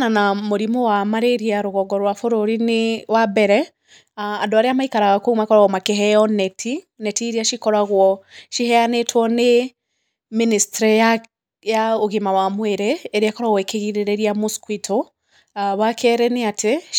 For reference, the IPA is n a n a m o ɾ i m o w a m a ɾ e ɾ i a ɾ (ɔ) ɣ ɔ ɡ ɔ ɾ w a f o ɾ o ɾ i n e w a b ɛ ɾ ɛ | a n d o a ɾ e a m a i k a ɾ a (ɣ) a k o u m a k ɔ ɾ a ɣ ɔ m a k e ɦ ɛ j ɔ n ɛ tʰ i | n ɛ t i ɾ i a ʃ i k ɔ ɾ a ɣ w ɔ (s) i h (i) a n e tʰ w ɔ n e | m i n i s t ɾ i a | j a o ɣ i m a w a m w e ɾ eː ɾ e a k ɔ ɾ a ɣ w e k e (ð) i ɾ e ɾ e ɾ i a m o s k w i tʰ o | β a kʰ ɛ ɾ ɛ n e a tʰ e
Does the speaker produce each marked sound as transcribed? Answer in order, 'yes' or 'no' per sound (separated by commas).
no, yes, no, no, no